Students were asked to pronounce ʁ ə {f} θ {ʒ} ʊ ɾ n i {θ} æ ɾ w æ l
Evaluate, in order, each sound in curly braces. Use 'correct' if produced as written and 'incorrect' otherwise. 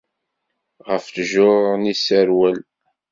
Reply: correct, correct, incorrect

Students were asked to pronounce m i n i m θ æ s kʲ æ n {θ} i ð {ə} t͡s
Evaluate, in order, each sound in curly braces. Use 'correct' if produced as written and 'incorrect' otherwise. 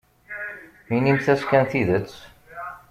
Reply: correct, correct

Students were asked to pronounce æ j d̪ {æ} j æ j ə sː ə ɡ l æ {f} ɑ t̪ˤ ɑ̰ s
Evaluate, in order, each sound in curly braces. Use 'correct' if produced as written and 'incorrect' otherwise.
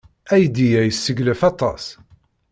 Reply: incorrect, correct

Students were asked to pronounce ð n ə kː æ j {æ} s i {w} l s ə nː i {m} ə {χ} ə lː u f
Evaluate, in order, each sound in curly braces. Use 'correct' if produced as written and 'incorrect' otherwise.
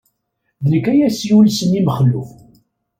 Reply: correct, incorrect, correct, correct

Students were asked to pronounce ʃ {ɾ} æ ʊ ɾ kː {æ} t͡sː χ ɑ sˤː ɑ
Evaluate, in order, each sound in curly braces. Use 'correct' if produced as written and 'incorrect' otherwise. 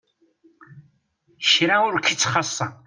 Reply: correct, incorrect

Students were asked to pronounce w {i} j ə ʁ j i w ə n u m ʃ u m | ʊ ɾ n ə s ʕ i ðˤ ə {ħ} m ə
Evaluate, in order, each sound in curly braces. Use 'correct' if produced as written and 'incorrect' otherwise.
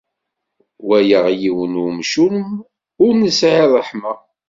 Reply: incorrect, correct

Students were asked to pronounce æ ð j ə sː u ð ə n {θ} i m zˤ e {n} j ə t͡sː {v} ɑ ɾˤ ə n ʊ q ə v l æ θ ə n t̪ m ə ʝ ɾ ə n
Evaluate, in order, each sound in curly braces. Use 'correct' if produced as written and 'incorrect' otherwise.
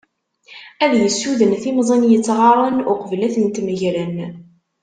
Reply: correct, correct, incorrect

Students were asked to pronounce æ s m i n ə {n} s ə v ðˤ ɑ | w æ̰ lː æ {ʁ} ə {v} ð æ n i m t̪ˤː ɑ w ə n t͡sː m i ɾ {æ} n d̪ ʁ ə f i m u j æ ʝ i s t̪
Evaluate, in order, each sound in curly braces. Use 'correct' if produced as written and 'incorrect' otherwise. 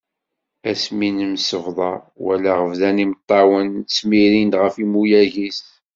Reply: incorrect, correct, correct, incorrect

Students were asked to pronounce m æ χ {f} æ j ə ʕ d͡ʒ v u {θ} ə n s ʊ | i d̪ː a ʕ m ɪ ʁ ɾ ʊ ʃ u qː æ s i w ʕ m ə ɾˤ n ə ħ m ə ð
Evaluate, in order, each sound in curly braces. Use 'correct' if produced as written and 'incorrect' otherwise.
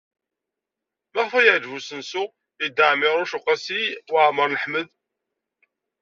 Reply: correct, incorrect

